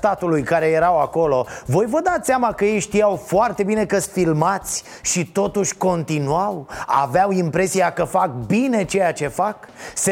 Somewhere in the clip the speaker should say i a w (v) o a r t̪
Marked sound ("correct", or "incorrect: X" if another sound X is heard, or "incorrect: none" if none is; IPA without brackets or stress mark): incorrect: f